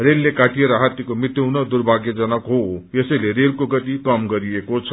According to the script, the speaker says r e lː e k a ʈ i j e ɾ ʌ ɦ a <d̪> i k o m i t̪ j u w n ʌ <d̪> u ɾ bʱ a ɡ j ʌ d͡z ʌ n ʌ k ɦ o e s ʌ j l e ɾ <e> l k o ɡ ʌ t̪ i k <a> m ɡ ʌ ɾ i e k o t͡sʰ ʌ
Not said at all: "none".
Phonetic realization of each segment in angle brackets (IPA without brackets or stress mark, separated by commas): t̪, d̪, e, ʌ